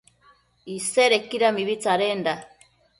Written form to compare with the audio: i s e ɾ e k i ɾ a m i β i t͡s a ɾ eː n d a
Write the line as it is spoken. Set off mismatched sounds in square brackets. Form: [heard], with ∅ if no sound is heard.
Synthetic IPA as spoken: i s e ɾ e k i ɾ a m i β i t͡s a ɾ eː n d a